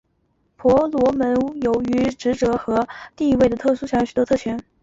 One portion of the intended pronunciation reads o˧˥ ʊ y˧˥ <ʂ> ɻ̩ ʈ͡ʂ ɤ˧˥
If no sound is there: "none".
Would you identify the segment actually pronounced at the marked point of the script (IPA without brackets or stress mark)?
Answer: ʈ͡ʂ